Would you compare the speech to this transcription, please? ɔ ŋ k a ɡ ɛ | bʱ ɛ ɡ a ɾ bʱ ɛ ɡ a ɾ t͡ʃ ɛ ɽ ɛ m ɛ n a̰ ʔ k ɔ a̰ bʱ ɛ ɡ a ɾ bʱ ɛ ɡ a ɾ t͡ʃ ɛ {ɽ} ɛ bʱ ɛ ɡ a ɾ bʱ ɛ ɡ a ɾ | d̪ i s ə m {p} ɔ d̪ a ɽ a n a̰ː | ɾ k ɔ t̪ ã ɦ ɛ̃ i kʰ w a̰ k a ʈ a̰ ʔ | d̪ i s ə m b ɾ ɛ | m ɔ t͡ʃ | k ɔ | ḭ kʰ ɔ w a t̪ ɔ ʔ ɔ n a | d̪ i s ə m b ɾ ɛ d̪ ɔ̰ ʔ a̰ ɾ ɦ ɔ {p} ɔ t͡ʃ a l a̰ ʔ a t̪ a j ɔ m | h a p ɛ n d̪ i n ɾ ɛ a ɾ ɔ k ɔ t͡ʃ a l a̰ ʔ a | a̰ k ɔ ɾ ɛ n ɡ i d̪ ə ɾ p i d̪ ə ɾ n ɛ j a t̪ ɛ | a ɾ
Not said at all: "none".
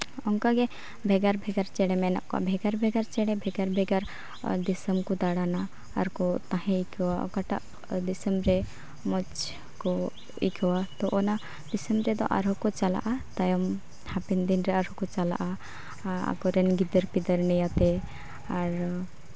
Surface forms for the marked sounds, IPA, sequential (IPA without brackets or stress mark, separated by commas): ɽ, k, k